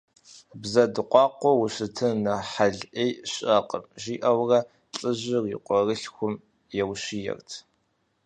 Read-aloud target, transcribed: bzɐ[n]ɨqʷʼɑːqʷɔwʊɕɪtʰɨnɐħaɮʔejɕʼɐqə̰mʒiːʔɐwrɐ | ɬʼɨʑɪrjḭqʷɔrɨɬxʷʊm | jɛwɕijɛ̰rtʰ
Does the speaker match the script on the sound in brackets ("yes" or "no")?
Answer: no